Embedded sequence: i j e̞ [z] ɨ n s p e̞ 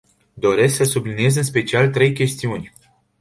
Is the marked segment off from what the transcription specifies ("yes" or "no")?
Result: no